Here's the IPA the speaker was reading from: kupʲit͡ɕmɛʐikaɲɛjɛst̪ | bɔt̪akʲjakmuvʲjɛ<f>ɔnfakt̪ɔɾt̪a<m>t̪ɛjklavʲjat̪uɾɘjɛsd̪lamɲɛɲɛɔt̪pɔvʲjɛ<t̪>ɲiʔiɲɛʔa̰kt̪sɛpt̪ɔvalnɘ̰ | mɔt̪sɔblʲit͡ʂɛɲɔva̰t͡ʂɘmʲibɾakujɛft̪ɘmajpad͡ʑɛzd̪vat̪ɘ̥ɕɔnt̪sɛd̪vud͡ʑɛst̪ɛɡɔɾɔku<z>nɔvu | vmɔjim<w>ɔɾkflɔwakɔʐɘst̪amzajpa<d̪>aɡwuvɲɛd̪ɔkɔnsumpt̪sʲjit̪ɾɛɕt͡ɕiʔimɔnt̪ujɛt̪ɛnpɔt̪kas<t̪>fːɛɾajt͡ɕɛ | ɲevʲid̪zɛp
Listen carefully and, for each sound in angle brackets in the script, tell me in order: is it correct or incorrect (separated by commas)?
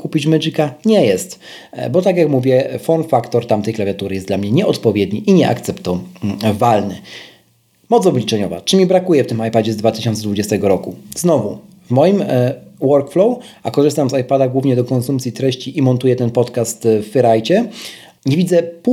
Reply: correct, correct, incorrect, correct, correct, correct, correct